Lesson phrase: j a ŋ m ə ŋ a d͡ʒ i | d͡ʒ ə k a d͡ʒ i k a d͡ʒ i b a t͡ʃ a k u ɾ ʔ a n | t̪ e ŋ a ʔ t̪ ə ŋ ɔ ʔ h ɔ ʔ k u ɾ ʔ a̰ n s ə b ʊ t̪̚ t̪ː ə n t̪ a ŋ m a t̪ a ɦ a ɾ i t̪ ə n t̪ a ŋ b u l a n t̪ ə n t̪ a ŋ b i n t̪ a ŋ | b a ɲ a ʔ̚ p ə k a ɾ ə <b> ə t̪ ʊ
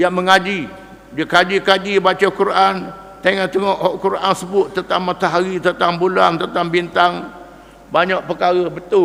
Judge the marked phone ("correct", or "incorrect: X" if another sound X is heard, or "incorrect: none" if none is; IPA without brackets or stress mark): correct